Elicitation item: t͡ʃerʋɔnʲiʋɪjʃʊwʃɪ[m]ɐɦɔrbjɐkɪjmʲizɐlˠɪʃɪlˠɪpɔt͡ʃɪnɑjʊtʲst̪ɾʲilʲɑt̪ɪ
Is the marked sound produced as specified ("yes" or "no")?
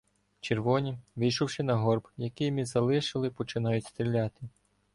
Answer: no